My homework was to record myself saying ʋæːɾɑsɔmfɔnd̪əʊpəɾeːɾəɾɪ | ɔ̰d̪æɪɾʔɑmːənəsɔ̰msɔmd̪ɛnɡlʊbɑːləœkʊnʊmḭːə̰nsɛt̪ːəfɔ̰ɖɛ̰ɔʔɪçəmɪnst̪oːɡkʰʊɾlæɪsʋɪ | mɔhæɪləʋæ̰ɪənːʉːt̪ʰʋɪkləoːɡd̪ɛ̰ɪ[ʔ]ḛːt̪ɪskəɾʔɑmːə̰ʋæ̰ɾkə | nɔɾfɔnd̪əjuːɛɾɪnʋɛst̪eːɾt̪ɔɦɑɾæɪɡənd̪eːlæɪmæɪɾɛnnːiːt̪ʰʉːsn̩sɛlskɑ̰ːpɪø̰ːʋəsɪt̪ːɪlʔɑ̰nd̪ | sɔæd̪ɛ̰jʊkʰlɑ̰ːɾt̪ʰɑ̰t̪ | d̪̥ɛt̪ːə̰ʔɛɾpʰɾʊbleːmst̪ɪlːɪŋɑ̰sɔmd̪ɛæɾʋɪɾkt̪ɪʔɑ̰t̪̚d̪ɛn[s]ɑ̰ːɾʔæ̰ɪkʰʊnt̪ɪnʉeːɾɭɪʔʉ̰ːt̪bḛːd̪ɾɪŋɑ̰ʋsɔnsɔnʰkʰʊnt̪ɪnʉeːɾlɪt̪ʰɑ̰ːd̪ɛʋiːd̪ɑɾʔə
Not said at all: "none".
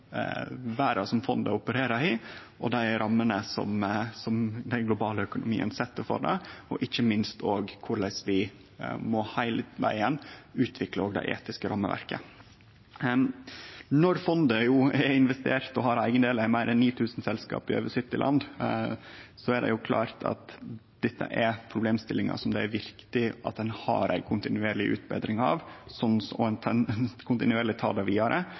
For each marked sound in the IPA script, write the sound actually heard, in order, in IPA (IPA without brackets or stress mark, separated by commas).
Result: ʔ, h